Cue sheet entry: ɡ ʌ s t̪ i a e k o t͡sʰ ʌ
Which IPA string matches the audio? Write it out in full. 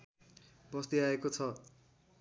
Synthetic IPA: b ʌ s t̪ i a e k o t͡sʰ ʌ